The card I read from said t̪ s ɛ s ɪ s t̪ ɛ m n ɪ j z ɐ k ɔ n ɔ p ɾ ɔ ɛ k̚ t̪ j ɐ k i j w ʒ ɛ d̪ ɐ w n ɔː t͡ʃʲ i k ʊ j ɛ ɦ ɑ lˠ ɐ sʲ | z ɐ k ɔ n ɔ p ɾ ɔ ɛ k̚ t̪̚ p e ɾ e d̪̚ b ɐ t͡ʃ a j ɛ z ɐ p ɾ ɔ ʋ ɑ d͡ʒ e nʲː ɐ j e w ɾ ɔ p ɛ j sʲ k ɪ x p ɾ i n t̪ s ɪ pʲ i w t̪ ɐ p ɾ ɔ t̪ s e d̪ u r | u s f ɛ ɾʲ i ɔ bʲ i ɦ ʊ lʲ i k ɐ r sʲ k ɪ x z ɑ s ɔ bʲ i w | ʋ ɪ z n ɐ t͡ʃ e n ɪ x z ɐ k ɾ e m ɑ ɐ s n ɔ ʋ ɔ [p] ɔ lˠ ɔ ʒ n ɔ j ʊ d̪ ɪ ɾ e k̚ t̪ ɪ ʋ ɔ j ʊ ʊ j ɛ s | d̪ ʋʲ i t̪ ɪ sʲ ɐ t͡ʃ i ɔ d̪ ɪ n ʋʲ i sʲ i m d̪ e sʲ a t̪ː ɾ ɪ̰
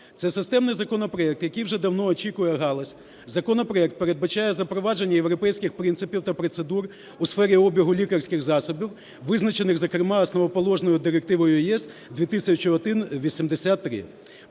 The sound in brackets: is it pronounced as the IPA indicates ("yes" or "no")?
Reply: yes